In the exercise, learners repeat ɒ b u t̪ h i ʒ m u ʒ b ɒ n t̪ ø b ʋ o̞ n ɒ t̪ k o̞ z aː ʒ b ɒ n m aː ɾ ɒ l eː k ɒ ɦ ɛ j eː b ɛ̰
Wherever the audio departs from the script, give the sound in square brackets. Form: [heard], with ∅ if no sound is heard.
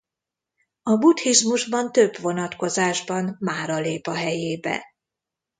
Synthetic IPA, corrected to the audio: ɒ b u t̪ h i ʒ m u ʒ b ɒ n t̪ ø b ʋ o̞ n ɒ t̪ k o̞ z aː ʒ b ɒ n m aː ɾ ɒ l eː [p] ɒ ɦ ɛ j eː b ɛ̰

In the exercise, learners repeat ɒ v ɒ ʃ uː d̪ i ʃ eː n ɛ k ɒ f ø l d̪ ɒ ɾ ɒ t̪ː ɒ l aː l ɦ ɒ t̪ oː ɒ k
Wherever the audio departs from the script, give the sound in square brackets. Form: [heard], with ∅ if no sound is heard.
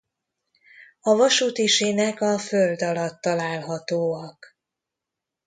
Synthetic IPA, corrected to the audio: ɒ v ɒ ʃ uː [t̪] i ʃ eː n ɛ k ɒ f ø l d̪ ɒ [l] ɒ t̪ː ɒ l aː l ɦ ɒ t̪ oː ɒ k

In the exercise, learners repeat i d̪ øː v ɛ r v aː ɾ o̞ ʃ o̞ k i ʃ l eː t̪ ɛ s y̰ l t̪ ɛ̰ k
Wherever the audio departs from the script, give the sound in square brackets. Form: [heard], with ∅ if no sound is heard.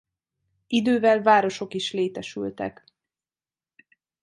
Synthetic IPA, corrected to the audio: i d̪ øː v ɛ [l] v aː ɾ o̞ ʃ o̞ k i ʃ l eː t̪ ɛ [ʃ] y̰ l t̪ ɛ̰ k

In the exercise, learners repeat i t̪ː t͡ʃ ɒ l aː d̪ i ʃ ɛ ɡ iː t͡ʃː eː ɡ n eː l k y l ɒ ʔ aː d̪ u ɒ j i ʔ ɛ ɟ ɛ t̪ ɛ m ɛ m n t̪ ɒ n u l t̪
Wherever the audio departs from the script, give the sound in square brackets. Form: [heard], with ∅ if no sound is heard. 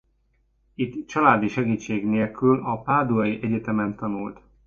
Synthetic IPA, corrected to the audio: i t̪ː t͡ʃ ɒ l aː d̪ i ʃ ɛ ɡ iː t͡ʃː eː ɡ n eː l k y l ɒ [p] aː d̪ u ɒ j i ʔ ɛ ɟ ɛ t̪ ɛ m ɛ [∅] n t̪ ɒ n u l t̪

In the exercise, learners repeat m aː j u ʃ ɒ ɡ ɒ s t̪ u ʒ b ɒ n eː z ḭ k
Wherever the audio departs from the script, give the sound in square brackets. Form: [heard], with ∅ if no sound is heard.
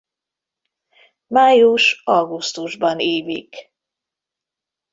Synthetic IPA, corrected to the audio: m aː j u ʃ ɒ ɡ [u] s t̪ u ʒ b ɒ n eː [v] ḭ k

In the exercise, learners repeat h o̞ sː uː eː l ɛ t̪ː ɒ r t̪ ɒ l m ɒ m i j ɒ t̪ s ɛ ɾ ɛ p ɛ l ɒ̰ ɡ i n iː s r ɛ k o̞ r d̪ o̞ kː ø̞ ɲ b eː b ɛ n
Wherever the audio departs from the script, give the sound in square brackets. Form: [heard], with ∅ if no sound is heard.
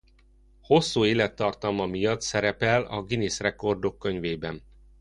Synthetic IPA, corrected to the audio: h o̞ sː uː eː l ɛ t̪ː ɒ r t̪ ɒ l m ɒ m i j ɒ t̪ s ɛ ɾ ɛ p ɛ l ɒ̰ ɡ i n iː s r ɛ k o̞ r d̪ o̞ kː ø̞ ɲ [v] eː b ɛ n

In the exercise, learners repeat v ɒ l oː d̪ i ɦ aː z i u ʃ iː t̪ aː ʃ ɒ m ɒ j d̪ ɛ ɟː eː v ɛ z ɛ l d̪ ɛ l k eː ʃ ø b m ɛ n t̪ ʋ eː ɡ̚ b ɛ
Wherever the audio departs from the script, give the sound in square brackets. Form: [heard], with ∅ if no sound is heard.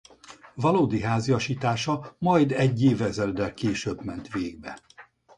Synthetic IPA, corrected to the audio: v ɒ l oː d̪ i ɦ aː z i [ɒ] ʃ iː t̪ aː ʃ ɒ m ɒ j d̪ ɛ ɟː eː v ɛ z ɛ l d̪ ɛ l k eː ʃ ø b m ɛ n t̪ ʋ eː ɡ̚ b ɛ

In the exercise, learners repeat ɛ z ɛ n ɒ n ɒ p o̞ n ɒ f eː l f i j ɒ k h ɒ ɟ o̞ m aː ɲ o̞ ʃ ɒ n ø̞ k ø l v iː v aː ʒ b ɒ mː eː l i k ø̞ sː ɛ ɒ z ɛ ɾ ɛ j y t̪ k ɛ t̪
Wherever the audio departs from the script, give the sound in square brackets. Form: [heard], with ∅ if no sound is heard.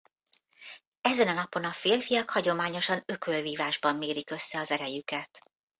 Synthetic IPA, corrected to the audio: ɛ z ɛ n ɒ n ɒ p o̞ n ɒ f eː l f i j ɒ k h ɒ ɟ o̞ m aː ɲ o̞ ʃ ɒ n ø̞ k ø l v iː v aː ʒ b ɒ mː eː [ɾ] i k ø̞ sː ɛ ɒ z ɛ ɾ ɛ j y [∅] k ɛ t̪

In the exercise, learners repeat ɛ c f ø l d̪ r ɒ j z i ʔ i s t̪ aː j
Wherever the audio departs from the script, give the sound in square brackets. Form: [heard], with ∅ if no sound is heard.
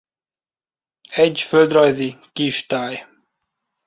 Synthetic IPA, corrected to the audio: ɛ [ɟ] f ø l d̪ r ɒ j z i [k] i [ʃ] t̪ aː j

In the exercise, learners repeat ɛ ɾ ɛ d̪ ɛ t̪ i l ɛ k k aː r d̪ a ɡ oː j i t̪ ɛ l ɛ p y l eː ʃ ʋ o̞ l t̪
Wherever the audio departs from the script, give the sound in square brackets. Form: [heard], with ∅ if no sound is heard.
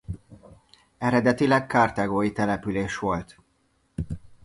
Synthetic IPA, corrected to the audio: ɛ ɾ ɛ d̪ ɛ t̪ i l ɛ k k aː r [t̪] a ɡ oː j i t̪ ɛ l ɛ p y l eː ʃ ʋ o̞ l t̪

